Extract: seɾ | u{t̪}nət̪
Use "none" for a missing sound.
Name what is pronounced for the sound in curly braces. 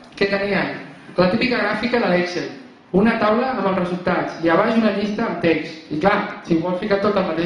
none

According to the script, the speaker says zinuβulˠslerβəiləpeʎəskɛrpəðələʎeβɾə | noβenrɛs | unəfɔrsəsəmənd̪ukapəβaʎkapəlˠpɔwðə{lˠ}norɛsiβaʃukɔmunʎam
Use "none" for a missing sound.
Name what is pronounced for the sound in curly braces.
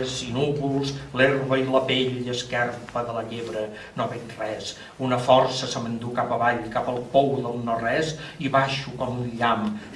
lˠ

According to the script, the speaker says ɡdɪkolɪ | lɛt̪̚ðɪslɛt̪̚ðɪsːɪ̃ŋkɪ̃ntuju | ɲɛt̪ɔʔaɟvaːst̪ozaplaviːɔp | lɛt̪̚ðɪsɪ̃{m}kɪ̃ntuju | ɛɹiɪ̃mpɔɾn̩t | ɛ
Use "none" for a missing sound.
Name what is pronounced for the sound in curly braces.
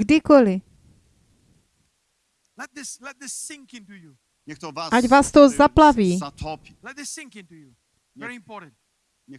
ŋ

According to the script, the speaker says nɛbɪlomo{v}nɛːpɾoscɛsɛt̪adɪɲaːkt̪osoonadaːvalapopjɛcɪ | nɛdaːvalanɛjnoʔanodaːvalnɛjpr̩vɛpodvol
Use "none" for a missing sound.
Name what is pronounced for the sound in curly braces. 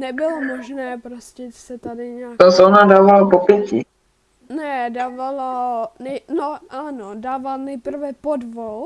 ʒ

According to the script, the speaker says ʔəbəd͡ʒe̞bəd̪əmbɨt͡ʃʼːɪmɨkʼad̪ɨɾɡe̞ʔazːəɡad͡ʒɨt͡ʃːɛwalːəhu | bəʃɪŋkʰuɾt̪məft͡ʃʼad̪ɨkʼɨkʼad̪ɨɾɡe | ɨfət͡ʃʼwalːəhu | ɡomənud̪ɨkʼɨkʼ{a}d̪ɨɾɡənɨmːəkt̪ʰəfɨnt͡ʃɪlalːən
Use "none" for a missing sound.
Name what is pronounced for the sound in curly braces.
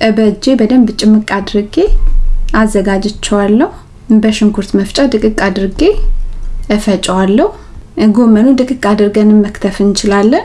a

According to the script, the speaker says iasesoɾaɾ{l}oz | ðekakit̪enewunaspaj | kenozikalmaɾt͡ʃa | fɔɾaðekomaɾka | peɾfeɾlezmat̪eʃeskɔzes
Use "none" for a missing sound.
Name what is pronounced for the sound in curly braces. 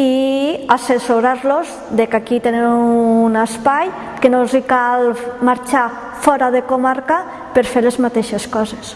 l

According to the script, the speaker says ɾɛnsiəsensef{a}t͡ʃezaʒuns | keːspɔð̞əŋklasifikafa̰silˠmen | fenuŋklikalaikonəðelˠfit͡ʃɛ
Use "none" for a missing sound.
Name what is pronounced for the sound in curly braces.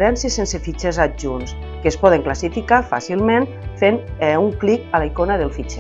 i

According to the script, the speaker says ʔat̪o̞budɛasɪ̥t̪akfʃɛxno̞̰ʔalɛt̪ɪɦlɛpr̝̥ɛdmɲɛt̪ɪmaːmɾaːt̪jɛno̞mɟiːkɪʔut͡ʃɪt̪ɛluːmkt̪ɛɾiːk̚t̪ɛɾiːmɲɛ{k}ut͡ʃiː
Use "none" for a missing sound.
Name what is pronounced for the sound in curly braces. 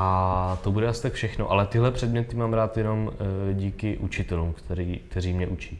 ʔ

